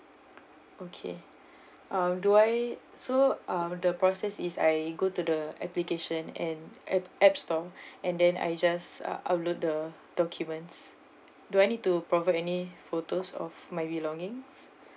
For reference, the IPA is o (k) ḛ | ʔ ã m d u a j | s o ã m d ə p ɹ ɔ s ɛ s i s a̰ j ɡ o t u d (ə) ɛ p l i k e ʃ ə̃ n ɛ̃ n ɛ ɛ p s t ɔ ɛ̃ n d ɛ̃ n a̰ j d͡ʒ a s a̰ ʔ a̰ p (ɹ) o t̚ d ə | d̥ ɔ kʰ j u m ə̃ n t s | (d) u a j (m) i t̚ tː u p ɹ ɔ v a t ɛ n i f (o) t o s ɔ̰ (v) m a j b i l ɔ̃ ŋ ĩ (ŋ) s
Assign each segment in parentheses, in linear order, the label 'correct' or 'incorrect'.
incorrect: kʰ, correct, incorrect: l, correct, incorrect: n, correct, incorrect: f, correct

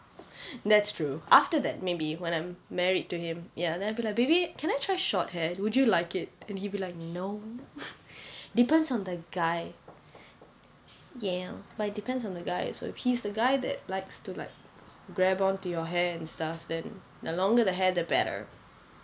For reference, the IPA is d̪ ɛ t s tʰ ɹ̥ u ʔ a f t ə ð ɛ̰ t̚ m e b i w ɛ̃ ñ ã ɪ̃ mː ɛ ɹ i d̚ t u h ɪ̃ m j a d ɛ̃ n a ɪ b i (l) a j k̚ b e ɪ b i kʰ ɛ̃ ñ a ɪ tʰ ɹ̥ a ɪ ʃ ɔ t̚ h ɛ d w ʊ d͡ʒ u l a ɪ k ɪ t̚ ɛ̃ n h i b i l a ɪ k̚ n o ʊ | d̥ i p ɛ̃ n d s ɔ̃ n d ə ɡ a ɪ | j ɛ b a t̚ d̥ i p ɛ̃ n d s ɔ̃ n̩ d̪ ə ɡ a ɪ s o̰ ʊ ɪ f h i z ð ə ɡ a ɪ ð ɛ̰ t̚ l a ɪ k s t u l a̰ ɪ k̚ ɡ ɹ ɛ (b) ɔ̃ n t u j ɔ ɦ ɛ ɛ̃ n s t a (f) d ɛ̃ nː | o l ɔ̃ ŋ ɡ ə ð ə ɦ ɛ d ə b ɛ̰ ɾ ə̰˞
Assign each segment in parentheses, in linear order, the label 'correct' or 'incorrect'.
correct, correct, correct

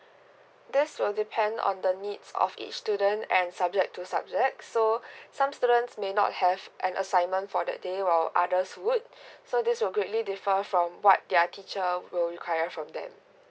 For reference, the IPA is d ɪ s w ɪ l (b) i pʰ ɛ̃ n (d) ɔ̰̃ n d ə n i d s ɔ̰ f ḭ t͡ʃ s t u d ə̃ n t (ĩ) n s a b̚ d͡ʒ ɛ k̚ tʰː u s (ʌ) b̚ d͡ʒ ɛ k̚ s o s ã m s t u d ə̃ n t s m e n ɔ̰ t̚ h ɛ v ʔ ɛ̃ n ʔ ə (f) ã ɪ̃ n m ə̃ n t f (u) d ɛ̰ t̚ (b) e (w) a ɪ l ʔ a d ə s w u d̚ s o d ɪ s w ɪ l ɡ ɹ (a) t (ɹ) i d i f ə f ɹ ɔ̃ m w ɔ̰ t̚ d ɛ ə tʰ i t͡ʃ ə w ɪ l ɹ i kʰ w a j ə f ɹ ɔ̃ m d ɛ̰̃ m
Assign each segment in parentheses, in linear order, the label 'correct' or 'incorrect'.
incorrect: d, correct, incorrect: ɛ̃, incorrect: a, incorrect: s, incorrect: ɔ, incorrect: d, correct, incorrect: e, incorrect: l

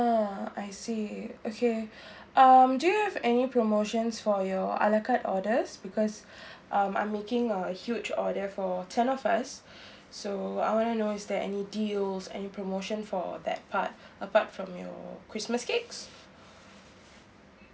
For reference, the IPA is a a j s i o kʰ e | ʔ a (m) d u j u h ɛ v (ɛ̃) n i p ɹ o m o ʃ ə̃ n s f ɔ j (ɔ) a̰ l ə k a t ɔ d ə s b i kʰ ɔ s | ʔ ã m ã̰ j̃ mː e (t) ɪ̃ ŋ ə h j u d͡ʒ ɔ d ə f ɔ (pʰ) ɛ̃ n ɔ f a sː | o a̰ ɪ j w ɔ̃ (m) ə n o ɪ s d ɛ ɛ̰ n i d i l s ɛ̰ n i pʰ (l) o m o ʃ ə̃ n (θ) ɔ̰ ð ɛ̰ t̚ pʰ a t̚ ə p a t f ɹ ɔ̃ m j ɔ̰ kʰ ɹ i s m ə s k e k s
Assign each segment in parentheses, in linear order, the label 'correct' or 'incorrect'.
correct, incorrect: ɛ, correct, incorrect: k, incorrect: tʰ, incorrect: n, incorrect: ɹ, incorrect: f

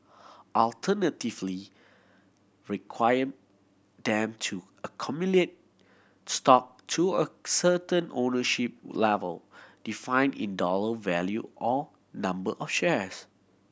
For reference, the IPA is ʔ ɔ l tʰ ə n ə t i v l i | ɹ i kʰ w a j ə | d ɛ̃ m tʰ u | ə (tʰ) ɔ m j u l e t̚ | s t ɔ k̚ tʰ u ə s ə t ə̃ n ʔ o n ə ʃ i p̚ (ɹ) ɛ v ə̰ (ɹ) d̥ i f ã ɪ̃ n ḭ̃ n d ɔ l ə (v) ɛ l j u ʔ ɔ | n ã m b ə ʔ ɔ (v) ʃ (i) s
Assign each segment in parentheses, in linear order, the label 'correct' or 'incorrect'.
incorrect: kʰ, incorrect: l, incorrect: l, correct, incorrect: f, incorrect: ɛ

